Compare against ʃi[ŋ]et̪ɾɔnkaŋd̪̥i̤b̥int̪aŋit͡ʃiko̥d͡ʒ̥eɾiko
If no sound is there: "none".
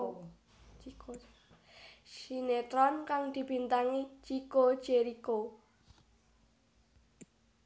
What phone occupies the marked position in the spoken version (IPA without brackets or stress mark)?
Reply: n